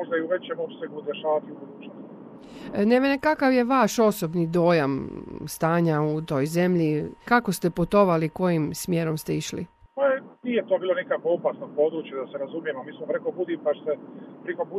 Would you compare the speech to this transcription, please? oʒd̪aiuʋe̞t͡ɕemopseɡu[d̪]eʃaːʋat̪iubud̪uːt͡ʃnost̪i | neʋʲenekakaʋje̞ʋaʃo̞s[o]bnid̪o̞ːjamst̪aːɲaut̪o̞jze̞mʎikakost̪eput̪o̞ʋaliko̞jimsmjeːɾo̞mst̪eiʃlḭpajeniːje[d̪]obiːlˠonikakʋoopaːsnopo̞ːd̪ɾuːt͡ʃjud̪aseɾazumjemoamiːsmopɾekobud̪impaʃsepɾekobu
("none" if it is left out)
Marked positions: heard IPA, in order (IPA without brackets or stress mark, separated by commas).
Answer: d̪, o, t̪